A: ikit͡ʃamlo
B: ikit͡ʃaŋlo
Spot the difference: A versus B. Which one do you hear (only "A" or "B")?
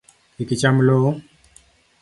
A